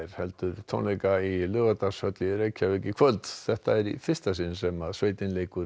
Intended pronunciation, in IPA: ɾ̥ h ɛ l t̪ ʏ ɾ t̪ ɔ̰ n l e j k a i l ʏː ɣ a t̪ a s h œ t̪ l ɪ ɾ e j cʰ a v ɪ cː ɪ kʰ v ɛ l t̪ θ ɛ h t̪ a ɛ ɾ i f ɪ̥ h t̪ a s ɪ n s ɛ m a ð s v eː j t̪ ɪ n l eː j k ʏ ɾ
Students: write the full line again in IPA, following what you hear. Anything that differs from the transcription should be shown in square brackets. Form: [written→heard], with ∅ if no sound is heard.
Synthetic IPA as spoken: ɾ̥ h ɛ l t̪ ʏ ɾ [t̪→t̪ʰ] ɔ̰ n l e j k a i l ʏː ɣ a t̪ a s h œ t̪ l ɪ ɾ e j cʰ a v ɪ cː ɪ kʰ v [ɛ→œ] l t̪ θ ɛ h t̪ a ɛ ɾ i f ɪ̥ [h→s] t̪ a s ɪ n s ɛ m a ð s v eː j t̪ ɪ n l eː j k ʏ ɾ